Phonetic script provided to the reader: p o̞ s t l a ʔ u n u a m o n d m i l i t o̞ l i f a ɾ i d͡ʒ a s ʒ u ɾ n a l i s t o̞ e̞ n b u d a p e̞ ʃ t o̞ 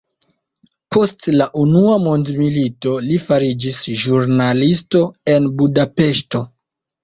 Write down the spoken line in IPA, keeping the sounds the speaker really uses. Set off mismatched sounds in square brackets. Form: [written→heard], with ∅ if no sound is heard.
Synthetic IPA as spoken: p o̞ s t l a ʔ u n u a m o n d m i l i t o̞ l i f a ɾ i d͡ʒ [a→i] s ʒ u ɾ n a l i s t o̞ e̞ n b u d a p e̞ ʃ t o̞

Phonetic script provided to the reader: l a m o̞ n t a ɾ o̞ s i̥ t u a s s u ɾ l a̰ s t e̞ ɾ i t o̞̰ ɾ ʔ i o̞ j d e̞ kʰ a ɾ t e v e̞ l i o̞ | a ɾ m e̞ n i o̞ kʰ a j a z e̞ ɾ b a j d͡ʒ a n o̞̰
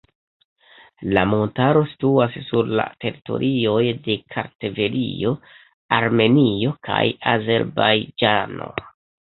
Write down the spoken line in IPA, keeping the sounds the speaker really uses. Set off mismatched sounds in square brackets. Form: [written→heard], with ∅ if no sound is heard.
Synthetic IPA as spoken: l a m o̞ n t a ɾ o̞ s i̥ t u a s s u ɾ l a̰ [s→∅] t e̞ ɾ i t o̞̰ ɾ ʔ i o̞ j d e̞ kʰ a ɾ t e v e̞ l i o̞ | a ɾ m e̞ n i o̞ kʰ a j a z e̞ ɾ b a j d͡ʒ a n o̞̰

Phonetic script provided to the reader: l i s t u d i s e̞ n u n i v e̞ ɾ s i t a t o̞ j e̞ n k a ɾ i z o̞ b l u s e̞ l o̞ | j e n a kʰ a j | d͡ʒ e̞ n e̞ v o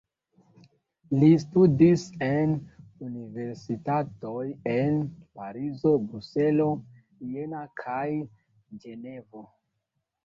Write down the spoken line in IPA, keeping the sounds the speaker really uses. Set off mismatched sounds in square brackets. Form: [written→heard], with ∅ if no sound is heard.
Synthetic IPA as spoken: l i s t u d i s e̞ n u n i v e̞ ɾ s i t a t o̞ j e̞ n [k→p] a ɾ i z o̞ b [l→ɾ] u s e̞ l o̞ | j e n a kʰ a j | d͡ʒ e̞ n e̞ v o

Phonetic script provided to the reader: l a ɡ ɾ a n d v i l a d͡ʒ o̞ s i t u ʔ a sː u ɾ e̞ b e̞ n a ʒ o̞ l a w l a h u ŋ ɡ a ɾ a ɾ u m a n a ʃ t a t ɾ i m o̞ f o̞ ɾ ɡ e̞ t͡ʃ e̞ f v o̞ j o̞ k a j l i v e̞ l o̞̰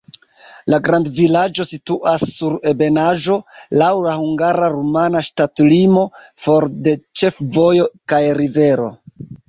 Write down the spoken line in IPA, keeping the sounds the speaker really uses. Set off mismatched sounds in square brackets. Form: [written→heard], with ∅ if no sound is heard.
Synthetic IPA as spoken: l a ɡ ɾ a n d v i l a d͡ʒ o̞ s i t u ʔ a sː u ɾ e̞ b e̞ n a ʒ o̞ l a w l a h u ŋ ɡ a ɾ a ɾ u m a n a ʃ t a t [ɾ→l] i m o̞ f o̞ ɾ [ɡ→d] e̞ t͡ʃ e̞ f v o̞ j o̞ k a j [l→ɾ] i v e̞ [l→ɾ] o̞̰

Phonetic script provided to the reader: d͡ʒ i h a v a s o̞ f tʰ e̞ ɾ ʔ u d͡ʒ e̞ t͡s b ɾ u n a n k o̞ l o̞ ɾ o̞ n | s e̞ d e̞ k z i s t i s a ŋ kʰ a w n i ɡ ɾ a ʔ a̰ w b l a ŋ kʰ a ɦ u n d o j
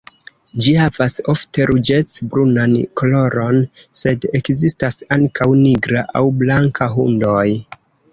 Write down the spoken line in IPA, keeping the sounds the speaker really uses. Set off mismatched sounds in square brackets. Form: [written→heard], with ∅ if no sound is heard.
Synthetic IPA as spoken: d͡ʒ i h a v a s o̞ f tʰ e̞ ɾ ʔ u d͡ʒ e̞ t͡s b ɾ u n a n k o̞ l o̞ ɾ o̞ n | s e̞ d e̞ k z i s t [i→a] s a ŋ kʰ a w n i ɡ ɾ a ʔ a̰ w b l a ŋ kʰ a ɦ u n d o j

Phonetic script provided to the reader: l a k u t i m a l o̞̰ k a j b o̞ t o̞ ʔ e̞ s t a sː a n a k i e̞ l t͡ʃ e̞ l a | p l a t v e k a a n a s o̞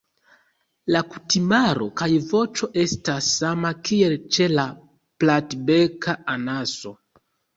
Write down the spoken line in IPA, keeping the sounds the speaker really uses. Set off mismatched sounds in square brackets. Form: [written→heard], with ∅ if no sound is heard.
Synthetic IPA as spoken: l a k u t i m a [l→ɾ] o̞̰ k a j [b→v] o̞ [t→t͡ʃ] o̞ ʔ e̞ s t a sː a [n→m] a k i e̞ l t͡ʃ e̞ l a | p l a t [v→b] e k a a n a s o̞

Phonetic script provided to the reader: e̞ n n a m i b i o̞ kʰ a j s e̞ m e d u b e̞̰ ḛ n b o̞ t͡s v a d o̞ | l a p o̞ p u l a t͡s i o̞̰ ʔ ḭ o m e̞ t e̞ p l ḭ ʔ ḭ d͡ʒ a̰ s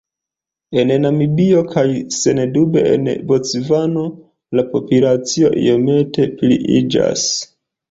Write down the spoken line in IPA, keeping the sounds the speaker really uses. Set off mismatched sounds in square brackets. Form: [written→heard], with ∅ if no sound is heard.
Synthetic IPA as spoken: e̞ n n a m i b i o̞ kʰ a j s e̞ [m→n] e d u b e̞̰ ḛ n b o̞ t͡s v a [d→n] o̞ | l a p o̞ p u l a t͡s i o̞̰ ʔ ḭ o m e̞ t e̞ p l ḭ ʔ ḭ d͡ʒ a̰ s

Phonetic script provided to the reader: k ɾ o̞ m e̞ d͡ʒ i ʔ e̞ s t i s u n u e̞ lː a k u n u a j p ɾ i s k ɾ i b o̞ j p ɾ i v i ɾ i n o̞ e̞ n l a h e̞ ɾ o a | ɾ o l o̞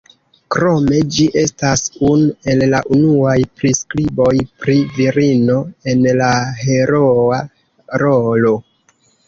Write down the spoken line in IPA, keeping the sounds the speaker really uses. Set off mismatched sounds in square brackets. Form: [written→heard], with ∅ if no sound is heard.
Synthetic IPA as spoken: k ɾ o̞ m e̞ d͡ʒ i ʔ e̞ s t [i→a] s u n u e̞ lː a [k→ʔ] u n u a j p ɾ i s k ɾ i b o̞ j p ɾ i v i ɾ i n o̞ e̞ n l a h e̞ ɾ o a | ɾ o l o̞

